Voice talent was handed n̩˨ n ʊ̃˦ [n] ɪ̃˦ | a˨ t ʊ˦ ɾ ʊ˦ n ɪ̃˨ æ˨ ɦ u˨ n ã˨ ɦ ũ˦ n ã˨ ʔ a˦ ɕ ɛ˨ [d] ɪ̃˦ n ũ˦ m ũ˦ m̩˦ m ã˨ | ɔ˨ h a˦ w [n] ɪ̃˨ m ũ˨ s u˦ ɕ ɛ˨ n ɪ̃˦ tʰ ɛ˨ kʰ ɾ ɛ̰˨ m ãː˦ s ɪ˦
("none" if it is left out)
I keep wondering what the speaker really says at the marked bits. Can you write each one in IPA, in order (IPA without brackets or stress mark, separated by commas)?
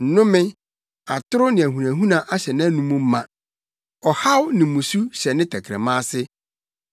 m, n, n